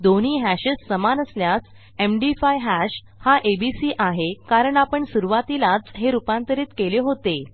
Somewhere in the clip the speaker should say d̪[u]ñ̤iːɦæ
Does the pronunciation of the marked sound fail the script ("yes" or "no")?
yes